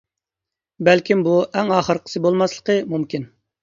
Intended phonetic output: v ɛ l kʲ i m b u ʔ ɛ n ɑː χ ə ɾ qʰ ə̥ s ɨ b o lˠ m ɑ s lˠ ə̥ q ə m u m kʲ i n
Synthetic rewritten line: b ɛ l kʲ i m b u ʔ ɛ ŋ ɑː χ ə ɾ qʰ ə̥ s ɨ b o lˠ m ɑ s lˠ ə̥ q ə m u m kʲ i n